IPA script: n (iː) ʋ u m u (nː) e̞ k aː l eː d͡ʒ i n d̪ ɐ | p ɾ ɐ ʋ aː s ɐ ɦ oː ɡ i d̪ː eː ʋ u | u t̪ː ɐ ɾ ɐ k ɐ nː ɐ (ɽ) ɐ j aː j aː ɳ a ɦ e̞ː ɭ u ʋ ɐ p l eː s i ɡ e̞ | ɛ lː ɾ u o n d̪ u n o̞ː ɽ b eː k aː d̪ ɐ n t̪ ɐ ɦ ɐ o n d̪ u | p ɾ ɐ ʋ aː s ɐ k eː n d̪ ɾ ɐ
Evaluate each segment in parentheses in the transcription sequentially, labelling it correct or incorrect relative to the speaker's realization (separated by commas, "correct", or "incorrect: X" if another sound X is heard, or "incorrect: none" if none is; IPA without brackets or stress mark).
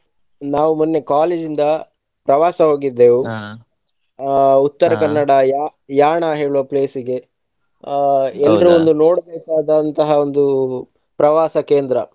incorrect: aː, correct, correct